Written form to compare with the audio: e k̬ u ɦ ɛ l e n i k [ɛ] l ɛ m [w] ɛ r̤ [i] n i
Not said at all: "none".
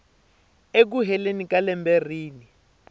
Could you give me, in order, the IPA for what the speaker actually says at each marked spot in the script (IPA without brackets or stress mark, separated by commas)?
a, b, iː